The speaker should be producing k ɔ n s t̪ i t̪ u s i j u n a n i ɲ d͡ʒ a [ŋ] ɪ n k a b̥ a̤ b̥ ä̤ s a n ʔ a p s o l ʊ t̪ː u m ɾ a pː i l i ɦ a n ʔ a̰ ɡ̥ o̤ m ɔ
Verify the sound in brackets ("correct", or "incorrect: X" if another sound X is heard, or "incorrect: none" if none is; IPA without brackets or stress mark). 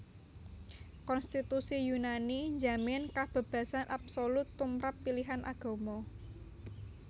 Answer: incorrect: m